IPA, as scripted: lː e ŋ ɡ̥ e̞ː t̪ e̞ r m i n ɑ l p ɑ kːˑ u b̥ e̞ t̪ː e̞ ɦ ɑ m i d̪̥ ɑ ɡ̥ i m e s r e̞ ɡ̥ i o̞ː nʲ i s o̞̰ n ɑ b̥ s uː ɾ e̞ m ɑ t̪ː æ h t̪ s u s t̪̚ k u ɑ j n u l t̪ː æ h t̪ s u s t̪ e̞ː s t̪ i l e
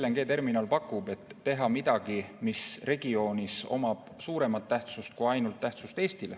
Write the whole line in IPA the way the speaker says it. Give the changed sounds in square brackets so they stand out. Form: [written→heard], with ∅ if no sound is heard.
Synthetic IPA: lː e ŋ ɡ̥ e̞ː t̪ e̞ r m i n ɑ l p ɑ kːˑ u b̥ e̞ t̪ː e̞ ɦ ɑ m i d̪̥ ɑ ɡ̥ i m [e→i] s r e̞ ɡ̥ i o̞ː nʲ i s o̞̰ [n→m] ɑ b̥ s uː ɾ e̞ m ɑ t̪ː æ h t̪ s u s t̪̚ k u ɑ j n u l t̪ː æ h t̪ s u s t̪ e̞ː s t̪ i l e